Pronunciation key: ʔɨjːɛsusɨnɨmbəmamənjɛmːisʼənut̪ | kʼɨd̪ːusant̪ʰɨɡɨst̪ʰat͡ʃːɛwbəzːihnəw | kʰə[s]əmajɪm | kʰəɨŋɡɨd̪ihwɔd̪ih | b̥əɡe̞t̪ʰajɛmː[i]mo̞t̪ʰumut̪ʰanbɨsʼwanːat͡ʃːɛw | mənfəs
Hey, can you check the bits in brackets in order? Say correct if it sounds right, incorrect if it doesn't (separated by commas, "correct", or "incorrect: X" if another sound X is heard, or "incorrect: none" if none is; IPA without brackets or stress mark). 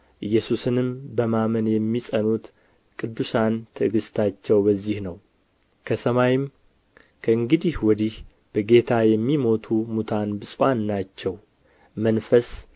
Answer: correct, correct